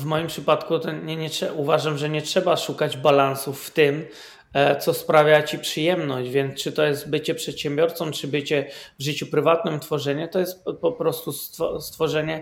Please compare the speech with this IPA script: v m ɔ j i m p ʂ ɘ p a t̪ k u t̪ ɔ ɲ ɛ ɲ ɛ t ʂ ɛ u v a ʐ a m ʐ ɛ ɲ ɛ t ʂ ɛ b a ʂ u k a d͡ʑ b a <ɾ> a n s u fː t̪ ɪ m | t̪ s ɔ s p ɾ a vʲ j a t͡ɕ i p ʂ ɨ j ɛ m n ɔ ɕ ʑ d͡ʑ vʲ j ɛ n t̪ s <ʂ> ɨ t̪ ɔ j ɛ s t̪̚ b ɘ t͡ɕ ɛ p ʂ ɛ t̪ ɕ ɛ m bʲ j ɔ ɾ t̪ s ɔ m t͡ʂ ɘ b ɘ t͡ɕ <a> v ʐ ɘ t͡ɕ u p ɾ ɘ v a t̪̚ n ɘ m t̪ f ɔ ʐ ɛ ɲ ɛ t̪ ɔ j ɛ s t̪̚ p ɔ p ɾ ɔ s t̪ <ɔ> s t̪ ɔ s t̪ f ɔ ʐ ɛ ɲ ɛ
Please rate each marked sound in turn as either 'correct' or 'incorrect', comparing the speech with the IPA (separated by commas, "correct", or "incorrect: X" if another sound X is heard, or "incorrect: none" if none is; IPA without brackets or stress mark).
incorrect: l, incorrect: t͡ʂ, incorrect: ɛ, incorrect: u